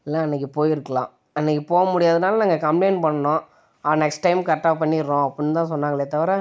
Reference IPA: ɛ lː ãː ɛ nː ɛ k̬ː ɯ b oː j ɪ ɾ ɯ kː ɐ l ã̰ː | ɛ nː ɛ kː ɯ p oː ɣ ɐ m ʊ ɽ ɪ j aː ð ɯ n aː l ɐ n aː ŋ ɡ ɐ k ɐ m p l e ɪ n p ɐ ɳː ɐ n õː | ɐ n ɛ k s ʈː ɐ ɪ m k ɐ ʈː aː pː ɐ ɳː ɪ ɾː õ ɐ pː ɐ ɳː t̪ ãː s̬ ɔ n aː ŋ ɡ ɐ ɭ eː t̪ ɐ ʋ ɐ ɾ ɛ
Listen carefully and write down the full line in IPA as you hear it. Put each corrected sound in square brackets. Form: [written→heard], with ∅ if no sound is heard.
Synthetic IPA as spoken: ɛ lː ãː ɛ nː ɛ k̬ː ɯ [b→p] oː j ɪ ɾ ɯ kː ɐ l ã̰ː | ɛ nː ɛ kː ɯ p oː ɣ ɐ m ʊ ɽ ɪ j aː ð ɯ n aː l ɐ n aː ŋ ɡ ɐ k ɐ m p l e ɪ n p ɐ ɳː ɐ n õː | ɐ n ɛ k s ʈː ɐ ɪ m k ɐ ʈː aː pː ɐ ɳː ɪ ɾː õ ɐ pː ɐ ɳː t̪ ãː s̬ ɔ [n→nː] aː ŋ ɡ ɐ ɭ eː t̪ ɐ ʋ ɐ ɾ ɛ

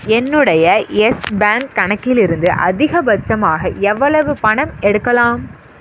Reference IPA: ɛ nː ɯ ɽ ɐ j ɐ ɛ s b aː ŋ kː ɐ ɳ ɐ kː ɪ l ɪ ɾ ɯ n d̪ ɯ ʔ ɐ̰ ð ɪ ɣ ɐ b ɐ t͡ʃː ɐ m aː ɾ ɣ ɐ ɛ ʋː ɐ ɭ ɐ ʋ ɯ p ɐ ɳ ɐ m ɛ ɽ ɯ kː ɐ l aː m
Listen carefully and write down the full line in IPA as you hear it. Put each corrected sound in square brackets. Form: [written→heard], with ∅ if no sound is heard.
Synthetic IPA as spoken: ɛ nː ɯ ɽ ɐ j ɐ ɛ s b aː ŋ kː ɐ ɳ ɐ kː ɪ l ɪ ɾ ɯ n d̪ ɯ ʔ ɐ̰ ð ɪ ɣ ɐ b ɐ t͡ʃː ɐ m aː [ɾ→∅] ɣ ɐ ɛ ʋː ɐ ɭ ɐ ʋ ɯ p ɐ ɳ ɐ m ɛ ɽ ɯ kː ɐ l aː m

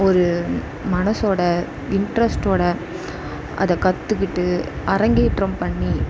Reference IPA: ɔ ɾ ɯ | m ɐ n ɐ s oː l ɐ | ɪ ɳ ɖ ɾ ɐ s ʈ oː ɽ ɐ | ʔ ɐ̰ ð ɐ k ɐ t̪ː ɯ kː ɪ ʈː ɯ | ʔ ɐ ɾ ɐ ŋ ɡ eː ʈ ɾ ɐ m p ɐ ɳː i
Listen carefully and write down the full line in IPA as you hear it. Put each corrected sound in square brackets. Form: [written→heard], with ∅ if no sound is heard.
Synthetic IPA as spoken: ɔ ɾ ɯ | m ɐ n ɐ s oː [l→ɽ] ɐ | ɪ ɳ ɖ ɾ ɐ s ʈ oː ɽ ɐ | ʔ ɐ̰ ð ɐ k ɐ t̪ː ɯ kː ɪ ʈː ɯ | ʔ ɐ ɾ ɐ ŋ ɡ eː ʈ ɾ ɐ m p ɐ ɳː i

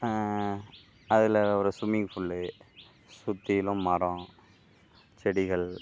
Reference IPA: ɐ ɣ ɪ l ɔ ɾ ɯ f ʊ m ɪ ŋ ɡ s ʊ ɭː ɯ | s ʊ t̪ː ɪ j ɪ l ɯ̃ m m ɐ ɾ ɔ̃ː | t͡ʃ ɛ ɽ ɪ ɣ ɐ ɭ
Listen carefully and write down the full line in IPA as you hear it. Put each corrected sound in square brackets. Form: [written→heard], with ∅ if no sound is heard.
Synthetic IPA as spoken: ɐ [ɣ→ð] ɪ l ɔ ɾ ɯ [f→s] ʊ m ɪ ŋ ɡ [s→f] ʊ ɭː ɯ | s ʊ t̪ː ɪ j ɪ l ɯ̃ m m ɐ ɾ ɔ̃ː | t͡ʃ ɛ ɽ ɪ ɣ ɐ ɭ

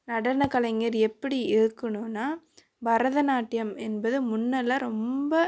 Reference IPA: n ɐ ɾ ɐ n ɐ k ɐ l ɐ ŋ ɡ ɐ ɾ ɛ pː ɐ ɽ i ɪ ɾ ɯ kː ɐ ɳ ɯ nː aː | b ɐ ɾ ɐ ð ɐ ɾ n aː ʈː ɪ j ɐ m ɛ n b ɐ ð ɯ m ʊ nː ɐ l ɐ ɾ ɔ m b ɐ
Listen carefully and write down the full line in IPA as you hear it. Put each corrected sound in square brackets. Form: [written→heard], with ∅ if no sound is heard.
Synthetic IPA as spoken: n ɐ [ɾ→ɽ] ɐ n ɐ k ɐ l ɐ ŋ ɡ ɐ ɾ ɛ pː ɐ ɽ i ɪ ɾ ɯ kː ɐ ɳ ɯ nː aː | b ɐ ɾ ɐ ð ɐ [ɾ→∅] n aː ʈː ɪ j ɐ m ɛ n b ɐ ð ɯ m ʊ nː ɐ l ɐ ɾ ɔ m b ɐ

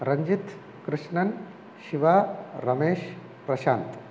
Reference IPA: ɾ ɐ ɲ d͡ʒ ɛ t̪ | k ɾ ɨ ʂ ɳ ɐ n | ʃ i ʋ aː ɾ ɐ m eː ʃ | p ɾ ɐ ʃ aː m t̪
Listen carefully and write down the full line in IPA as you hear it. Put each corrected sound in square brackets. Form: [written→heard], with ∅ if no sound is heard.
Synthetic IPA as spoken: ɾ ɐ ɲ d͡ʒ [ɛ→i] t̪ | k ɾ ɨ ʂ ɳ ɐ n | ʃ i ʋ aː ɾ ɐ m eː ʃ | p ɾ ɐ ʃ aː [m→n] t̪

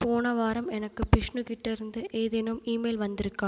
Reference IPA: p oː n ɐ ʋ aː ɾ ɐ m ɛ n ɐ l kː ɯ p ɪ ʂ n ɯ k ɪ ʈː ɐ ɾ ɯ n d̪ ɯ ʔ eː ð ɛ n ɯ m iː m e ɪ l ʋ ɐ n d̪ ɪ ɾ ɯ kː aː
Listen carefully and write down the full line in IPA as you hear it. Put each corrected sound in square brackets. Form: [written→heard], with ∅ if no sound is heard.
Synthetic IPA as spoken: p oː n ɐ ʋ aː ɾ ɐ m ɛ n ɐ [l→∅] kː ɯ p ɪ ʂ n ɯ k ɪ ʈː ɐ ɾ ɯ n d̪ ɯ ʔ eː ð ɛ n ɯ m iː m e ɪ l ʋ ɐ n d̪ ɪ ɾ ɯ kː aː

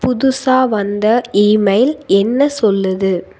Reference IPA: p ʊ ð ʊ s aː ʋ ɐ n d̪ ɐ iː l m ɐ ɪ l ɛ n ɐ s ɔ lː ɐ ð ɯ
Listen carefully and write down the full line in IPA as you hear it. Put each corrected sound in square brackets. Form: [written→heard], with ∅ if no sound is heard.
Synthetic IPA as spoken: p ʊ ð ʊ s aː ʋ ɐ n d̪ ɐ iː [l→∅] m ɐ ɪ l ɛ [n→nː] ɐ s ɔ lː ɐ ð ɯ

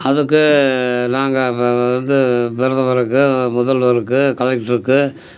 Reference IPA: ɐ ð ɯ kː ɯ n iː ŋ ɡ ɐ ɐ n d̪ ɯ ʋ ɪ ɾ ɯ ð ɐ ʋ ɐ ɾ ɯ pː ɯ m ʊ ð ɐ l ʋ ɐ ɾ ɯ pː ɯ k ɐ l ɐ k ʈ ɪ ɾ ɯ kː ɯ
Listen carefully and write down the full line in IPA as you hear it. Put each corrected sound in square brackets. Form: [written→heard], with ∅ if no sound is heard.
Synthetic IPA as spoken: ɐ ð ɯ kː ɯ n [iː→aː] ŋ ɡ ɐ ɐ n d̪ ɯ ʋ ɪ ɾ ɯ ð ɐ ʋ ɐ ɾ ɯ [pː→kː] ɯ m ʊ ð ɐ l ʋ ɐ ɾ ɯ [pː→kː] ɯ k ɐ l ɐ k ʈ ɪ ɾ ɯ kː ɯ

